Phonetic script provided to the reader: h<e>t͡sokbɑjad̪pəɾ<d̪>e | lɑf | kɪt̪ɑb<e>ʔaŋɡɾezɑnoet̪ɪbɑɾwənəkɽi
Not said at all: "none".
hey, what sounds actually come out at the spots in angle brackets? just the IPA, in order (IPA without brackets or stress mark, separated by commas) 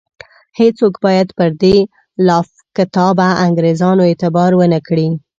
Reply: e, d̪, a